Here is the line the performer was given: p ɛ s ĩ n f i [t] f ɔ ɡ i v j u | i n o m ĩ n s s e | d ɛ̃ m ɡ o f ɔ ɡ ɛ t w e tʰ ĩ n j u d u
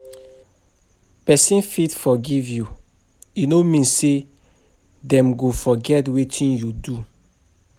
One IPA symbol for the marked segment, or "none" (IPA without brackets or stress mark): t